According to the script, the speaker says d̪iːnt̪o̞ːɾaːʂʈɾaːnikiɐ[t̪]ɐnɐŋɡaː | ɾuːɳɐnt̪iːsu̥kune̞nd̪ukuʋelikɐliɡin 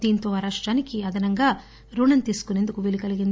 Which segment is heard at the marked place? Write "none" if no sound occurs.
d̪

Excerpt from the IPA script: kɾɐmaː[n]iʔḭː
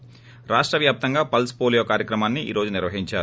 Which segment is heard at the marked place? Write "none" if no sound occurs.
nː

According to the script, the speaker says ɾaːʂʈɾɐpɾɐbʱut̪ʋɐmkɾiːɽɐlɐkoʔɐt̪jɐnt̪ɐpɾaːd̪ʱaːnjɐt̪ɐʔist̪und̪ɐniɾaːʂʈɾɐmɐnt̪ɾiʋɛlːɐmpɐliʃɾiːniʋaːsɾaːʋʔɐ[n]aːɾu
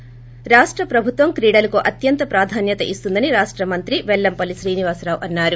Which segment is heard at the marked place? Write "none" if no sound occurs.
nː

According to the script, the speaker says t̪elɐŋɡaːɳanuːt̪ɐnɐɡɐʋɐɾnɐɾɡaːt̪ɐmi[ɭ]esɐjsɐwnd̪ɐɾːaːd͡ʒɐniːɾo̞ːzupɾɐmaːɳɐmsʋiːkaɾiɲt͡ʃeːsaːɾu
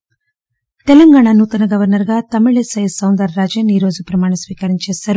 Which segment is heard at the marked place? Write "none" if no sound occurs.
ɭ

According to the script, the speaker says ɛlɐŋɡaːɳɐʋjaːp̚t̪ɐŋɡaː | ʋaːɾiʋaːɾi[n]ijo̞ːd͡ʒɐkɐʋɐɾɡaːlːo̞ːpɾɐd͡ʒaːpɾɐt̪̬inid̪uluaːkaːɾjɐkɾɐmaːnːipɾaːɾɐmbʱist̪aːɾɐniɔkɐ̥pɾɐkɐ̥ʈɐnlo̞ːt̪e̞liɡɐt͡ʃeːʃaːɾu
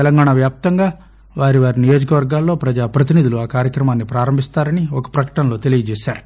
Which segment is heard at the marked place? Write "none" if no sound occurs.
n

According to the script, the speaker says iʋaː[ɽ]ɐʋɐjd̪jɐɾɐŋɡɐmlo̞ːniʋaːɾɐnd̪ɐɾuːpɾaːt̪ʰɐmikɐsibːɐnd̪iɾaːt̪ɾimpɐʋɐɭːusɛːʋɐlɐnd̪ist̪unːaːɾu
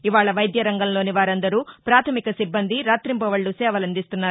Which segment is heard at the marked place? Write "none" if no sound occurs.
ɭ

